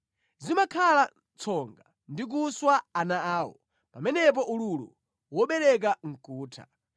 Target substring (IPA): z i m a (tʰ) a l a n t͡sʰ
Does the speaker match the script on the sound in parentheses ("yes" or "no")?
no